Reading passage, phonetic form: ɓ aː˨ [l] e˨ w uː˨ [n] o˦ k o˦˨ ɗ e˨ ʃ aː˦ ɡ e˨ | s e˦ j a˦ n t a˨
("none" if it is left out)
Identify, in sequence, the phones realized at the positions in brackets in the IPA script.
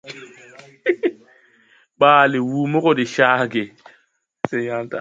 l, m

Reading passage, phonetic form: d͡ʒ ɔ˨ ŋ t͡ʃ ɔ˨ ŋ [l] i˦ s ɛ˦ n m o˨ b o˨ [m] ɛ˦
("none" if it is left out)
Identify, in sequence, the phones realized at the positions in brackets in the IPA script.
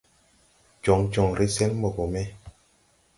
ɾ, m

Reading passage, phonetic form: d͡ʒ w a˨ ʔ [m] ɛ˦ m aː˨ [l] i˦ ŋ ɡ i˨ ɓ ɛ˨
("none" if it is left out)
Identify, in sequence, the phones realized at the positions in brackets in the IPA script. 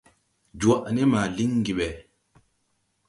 n, l

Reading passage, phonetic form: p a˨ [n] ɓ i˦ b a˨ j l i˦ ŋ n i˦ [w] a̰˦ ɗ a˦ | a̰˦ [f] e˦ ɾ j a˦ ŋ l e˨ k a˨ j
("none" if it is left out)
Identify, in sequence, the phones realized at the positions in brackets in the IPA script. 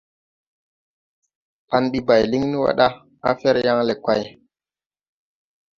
n, w, f

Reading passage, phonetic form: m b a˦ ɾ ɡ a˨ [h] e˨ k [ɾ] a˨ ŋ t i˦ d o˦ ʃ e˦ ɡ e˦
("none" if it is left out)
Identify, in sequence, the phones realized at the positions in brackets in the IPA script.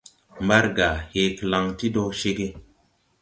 h, l

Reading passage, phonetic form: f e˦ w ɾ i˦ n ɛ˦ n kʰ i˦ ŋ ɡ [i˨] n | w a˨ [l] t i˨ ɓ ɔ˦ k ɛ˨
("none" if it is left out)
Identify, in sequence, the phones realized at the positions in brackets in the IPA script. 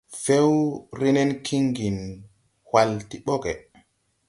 i˨, l

